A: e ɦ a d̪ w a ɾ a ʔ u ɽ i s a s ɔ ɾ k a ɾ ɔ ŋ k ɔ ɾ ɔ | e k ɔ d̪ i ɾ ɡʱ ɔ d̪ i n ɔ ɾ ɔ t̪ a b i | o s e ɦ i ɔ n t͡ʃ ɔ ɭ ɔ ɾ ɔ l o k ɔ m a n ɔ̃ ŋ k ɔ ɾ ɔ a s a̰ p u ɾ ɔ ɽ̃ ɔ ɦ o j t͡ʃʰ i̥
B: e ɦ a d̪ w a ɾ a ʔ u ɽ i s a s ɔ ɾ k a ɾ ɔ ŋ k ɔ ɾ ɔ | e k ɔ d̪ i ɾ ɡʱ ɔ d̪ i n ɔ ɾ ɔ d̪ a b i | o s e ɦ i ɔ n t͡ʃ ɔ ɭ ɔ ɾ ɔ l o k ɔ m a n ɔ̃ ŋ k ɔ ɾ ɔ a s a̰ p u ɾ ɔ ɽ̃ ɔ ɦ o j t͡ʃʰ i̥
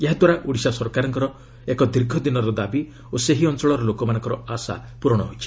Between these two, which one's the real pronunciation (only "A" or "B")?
B